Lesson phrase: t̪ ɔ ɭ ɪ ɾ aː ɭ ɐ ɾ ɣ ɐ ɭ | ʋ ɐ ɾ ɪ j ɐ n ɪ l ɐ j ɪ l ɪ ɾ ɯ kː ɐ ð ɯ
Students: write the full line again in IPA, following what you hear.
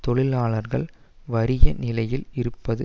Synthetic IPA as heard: t̪ ɔ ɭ ɪ l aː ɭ ɐ ɾ ɣ ɐ ɭ | ʋ ɐ ɾ ɪ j ɐ n ɪ l ɐ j ɪ l ɪ ɾ ɯ pː ɐ ð ɯ